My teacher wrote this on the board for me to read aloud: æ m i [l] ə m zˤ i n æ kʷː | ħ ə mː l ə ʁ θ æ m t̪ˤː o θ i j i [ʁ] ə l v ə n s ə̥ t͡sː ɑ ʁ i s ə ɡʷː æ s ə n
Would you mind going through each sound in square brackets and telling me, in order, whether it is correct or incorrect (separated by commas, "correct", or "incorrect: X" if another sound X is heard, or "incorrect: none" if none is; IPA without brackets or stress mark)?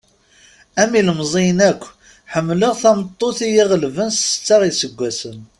correct, correct